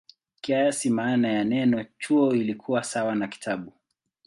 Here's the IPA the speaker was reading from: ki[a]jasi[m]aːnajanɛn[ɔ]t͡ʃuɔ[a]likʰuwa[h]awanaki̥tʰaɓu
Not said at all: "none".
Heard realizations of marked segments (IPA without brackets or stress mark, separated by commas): a, m, ɔ, i, s